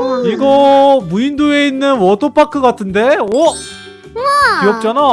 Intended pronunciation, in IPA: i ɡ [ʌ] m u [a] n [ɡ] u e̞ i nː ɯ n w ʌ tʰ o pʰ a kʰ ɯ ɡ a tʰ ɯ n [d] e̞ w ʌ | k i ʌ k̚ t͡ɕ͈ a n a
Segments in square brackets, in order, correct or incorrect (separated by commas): correct, incorrect, incorrect, correct